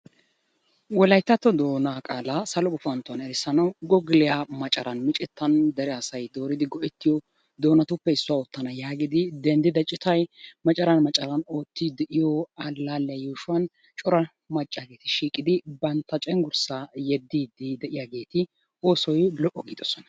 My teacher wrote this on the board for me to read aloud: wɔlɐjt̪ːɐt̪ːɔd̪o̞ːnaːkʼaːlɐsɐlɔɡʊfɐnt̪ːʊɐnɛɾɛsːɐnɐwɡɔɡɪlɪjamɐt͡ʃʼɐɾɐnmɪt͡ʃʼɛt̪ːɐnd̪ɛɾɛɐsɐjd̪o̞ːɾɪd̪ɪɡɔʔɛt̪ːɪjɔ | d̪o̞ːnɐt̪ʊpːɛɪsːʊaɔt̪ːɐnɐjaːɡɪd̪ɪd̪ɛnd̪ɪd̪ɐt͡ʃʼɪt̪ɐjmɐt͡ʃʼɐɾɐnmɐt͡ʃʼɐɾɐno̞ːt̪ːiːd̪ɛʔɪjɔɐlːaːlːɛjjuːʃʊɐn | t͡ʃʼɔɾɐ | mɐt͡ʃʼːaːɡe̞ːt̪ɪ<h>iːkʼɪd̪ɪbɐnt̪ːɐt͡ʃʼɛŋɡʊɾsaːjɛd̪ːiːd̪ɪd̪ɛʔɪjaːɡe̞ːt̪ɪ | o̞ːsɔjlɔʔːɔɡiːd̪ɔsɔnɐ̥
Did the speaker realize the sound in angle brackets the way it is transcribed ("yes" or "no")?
no